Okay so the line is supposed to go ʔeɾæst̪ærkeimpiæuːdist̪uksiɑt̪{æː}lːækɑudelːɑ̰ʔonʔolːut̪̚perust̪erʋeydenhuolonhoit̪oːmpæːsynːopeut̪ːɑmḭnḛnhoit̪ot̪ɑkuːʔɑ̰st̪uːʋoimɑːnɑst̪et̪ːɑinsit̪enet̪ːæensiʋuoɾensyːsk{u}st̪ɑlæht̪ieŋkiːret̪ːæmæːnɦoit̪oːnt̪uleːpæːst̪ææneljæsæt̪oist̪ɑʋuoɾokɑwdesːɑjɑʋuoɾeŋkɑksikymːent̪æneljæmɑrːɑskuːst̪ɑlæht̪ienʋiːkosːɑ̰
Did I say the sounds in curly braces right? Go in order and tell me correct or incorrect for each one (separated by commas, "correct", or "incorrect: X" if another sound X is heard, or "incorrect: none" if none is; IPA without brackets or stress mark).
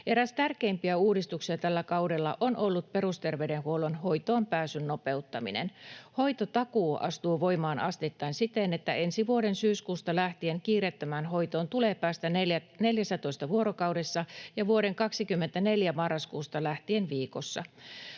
incorrect: æ, incorrect: uː